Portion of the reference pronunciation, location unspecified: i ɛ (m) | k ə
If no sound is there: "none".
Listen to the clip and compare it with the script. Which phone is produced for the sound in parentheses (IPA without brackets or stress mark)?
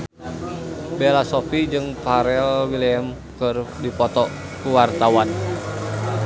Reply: m